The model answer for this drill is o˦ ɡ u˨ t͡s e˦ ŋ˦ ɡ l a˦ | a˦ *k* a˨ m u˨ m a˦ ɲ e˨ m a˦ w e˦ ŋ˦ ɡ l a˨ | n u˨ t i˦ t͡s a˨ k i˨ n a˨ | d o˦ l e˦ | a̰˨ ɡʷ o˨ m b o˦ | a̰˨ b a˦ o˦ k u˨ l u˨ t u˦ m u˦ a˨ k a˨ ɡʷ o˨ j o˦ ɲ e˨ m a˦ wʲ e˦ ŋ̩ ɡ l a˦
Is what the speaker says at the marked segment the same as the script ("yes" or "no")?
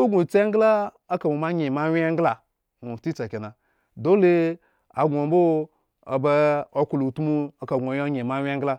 yes